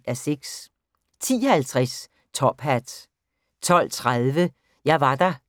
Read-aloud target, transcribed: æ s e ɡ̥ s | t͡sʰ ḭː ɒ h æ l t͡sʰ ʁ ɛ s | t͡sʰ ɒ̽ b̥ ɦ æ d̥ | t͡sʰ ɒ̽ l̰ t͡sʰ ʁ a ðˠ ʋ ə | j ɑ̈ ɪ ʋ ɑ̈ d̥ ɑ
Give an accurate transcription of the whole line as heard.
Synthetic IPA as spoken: æ s e ɡ̥ s | t͡sʰ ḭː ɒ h æ l t͡sʰ ʁ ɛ s | t͡sʰ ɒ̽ b̥ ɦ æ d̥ | t͡sʰ ɒ̽ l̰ t͡sʰ ʁ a ðˠ ʋ ə | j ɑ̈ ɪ ʋ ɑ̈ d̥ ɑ